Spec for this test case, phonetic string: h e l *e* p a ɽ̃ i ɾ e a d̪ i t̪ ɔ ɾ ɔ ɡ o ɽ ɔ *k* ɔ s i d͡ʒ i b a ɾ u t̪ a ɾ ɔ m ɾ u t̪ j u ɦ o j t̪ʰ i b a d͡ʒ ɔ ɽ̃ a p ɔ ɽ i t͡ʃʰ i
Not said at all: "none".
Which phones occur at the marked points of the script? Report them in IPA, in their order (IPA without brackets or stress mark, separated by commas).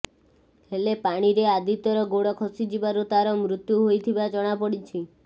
e, kʰ